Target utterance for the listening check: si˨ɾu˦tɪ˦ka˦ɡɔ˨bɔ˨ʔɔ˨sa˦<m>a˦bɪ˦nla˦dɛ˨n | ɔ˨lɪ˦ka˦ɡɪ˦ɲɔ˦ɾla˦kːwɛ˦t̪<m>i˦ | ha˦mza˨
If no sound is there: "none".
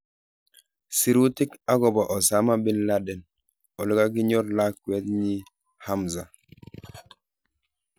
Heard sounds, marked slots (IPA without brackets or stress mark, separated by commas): m, ɲ